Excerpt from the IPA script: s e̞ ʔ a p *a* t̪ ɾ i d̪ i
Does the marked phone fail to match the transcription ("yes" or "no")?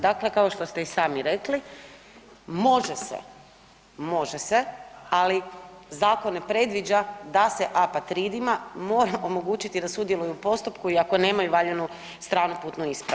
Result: no